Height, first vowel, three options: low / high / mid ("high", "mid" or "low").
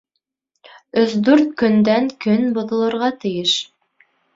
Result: mid